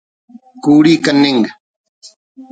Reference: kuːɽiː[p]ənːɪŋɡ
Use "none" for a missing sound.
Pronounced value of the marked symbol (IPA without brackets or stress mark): k